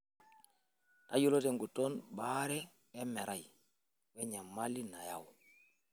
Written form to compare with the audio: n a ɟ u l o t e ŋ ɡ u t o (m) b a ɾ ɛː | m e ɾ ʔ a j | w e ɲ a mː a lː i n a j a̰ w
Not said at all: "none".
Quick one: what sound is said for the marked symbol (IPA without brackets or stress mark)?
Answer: n